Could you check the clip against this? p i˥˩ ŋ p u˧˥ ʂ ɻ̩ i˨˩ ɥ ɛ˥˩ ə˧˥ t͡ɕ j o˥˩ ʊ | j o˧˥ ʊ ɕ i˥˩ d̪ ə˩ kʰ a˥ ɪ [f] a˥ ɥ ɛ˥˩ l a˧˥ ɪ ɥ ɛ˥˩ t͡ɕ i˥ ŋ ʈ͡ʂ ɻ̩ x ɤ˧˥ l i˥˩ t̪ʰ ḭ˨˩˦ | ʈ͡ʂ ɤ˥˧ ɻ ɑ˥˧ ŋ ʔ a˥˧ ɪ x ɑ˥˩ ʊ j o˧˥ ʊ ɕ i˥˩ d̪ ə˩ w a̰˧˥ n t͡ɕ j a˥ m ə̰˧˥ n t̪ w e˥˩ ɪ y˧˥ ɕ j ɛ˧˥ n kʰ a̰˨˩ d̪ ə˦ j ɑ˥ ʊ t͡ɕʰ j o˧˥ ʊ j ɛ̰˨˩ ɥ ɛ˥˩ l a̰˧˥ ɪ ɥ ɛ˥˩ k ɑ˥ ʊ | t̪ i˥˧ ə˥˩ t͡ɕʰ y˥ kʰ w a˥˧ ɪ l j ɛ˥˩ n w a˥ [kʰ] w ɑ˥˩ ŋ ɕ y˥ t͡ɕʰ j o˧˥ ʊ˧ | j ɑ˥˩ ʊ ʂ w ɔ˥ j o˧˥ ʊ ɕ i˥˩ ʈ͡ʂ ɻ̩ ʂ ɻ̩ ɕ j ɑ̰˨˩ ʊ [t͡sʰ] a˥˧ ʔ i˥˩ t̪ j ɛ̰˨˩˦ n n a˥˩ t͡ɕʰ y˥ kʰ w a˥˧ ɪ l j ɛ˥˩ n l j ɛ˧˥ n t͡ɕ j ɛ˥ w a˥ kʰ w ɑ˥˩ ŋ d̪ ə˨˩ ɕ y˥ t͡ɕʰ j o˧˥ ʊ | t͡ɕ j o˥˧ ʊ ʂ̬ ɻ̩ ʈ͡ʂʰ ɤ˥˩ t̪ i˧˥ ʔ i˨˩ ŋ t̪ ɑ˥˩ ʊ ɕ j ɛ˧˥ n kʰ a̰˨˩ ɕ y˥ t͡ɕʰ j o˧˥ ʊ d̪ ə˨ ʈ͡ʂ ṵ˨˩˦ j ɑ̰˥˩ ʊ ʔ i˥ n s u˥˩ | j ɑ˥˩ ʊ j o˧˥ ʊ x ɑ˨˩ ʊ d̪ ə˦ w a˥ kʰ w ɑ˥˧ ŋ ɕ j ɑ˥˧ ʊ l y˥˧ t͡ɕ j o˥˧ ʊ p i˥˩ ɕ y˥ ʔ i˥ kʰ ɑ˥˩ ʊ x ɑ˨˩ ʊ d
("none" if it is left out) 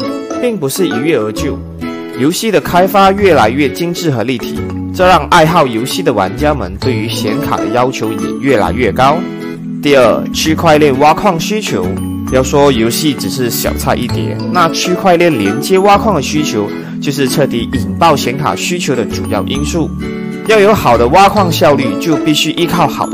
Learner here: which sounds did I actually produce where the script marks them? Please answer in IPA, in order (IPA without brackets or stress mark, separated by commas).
f, kʰ, t͡sʰ